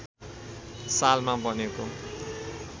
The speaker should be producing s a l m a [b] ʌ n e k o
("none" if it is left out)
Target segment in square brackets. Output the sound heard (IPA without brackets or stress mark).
b